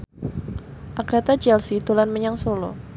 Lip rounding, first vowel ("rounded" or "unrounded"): unrounded